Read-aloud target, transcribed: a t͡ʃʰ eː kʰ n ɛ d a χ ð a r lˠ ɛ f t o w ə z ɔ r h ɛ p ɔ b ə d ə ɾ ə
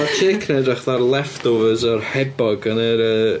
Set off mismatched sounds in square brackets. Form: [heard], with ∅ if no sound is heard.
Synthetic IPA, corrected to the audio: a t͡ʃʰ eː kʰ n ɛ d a χ ð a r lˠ ɛ f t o [v] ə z ɔ r h ɛ [b] ɔ [ɡ] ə [n] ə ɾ ə